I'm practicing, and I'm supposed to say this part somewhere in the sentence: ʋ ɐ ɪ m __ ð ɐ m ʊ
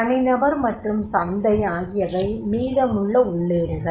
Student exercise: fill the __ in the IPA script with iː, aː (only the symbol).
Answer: iː